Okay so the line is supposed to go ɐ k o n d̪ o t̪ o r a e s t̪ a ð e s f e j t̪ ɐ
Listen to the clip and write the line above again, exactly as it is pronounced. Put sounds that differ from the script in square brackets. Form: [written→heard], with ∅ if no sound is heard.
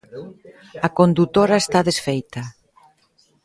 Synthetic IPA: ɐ k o n d̪ [o→u] t̪ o [r→ɾ] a e s t̪ a ð e s f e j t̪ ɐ

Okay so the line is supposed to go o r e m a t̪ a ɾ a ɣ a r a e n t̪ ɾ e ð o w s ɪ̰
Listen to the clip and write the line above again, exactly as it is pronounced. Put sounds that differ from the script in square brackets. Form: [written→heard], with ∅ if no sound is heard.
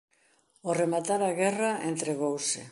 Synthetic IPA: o r e m a t̪ a ɾ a ɣ [a→ɛ] r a e n t̪ ɾ e [ð→ɣ] o w s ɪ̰

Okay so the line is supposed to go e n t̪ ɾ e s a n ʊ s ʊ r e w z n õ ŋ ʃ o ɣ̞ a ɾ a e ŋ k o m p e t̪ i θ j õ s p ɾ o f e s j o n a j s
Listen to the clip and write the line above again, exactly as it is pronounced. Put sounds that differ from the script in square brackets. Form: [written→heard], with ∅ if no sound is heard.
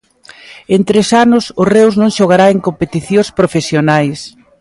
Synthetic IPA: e n t̪ ɾ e s a n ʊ s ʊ r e w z n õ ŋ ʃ o ɣ̞ a ɾ a e ŋ k o m p e t̪ i θ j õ s p ɾ o f e s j o n a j s

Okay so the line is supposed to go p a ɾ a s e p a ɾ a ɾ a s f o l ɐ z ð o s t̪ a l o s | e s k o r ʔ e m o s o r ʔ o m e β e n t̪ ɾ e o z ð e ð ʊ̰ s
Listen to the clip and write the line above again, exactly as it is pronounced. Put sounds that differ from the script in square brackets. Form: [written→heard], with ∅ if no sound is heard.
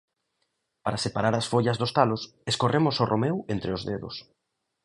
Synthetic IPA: p a ɾ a s e p a ɾ a ɾ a s f o [l→ʎ] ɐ z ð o s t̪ a l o s | e s k o r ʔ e m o s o r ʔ o m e [β→w] e n t̪ ɾ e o z ð e ð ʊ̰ s

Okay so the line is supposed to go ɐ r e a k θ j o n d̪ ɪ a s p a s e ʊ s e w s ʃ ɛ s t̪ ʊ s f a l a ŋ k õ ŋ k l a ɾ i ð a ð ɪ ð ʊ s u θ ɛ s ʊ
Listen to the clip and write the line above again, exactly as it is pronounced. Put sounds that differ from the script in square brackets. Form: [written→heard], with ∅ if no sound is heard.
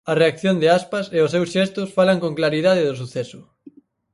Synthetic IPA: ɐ r e a k θ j o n d̪ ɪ a s p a s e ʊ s e w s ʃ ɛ s t̪ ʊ s f a l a ŋ k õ ŋ k l a ɾ i ð a ð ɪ ð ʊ s u θ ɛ s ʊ

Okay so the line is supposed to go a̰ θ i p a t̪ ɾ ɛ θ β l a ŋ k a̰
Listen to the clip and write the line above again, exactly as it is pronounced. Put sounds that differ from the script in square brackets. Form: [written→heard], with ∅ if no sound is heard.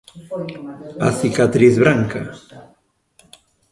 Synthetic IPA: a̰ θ i [p→k] a t̪ ɾ [ɛ→i] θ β [l→ɾ] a ŋ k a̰

